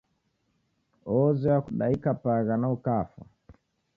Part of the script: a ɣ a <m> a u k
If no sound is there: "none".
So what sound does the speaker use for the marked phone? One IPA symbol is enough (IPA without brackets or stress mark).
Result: n